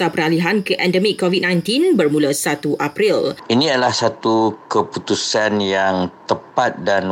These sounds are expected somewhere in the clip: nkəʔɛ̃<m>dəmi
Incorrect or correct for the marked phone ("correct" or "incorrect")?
incorrect